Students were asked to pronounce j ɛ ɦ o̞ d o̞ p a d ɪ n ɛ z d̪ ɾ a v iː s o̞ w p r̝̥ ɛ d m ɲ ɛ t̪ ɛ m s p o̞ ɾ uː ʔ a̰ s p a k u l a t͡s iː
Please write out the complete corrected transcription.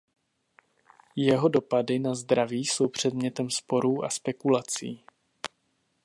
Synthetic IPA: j ɛ ɦ o̞ d o̞ p a d ɪ n a z d̪ ɾ a v iː s o̞ w p r̝̥ ɛ d m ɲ ɛ t̪ ɛ m s p o̞ ɾ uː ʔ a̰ s p ɛ k u l a t͡s iː